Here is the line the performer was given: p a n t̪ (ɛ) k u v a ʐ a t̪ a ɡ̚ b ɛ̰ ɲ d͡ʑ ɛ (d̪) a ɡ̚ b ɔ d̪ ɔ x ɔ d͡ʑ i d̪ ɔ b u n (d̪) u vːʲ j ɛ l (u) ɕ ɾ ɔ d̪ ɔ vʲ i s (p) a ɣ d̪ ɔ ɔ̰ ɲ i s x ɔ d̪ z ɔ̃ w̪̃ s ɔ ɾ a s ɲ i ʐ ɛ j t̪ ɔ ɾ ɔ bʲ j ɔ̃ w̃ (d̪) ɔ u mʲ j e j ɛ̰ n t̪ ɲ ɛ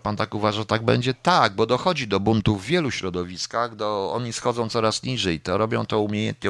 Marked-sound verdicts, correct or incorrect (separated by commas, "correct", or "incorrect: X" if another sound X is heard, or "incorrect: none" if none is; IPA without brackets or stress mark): incorrect: a, incorrect: t̪, incorrect: t̪, correct, incorrect: k, incorrect: t̪